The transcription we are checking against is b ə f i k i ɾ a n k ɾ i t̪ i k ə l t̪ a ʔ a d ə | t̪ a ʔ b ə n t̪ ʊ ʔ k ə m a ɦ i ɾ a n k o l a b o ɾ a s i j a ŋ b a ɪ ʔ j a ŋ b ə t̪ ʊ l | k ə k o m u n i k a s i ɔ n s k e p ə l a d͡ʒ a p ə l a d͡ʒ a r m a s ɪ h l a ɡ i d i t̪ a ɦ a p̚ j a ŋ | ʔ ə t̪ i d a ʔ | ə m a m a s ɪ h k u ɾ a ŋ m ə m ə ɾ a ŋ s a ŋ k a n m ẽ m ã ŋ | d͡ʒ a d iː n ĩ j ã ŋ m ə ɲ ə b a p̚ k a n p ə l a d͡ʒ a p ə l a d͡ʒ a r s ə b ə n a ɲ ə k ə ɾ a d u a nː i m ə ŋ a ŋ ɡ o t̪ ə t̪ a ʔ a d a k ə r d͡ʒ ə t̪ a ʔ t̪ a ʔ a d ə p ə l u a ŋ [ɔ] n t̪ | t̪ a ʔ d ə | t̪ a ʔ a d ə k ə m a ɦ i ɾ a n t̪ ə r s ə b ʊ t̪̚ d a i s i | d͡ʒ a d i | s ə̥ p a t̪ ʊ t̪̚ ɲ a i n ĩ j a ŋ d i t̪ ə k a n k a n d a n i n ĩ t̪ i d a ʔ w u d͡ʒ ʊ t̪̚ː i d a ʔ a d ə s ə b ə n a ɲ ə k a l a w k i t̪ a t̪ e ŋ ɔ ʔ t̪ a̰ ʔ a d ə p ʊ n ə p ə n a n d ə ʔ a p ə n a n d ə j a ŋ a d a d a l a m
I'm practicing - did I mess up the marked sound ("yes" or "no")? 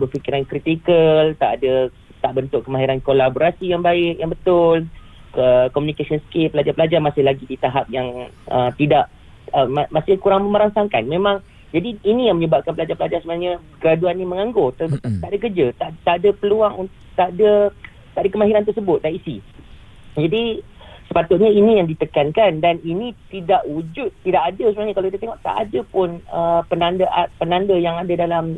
yes